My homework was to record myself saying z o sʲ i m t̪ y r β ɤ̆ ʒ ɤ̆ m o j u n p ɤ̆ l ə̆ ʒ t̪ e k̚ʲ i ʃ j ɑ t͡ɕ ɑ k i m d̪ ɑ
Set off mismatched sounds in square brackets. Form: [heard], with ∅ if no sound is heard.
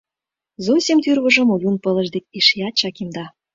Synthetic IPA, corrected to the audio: z o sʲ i m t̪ y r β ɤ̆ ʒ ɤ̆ m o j u n p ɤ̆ l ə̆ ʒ [d̪] e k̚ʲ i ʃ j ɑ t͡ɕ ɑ k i m d̪ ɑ